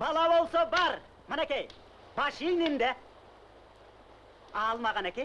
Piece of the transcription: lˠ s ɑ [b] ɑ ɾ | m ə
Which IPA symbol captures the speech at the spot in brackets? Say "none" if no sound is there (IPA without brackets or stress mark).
b